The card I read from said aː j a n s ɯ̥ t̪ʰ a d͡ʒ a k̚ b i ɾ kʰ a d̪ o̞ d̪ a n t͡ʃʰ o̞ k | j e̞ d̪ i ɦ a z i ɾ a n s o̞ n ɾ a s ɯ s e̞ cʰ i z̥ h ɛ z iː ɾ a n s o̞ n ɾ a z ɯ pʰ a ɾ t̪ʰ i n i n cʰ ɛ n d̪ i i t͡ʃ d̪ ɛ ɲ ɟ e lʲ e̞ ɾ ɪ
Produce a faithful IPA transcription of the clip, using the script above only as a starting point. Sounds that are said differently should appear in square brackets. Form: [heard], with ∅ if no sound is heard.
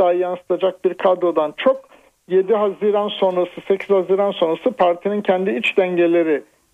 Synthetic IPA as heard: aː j a n s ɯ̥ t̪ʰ a d͡ʒ a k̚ b i ɾ kʰ a d̪ o̞ d̪ a n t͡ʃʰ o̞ k | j e̞ d̪ i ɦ a z i ɾ a n s o̞ n ɾ a s ɯ s e̞ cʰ i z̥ h [a] z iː ɾ a n s o̞ n ɾ a [s] ɯ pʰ a ɾ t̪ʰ i n i n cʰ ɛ n d̪ i i t͡ʃ d̪ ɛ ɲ ɟ e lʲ e̞ ɾ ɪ